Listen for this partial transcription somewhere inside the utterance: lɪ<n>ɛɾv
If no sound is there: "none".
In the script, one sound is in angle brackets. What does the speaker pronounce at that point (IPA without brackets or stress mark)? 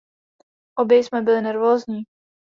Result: n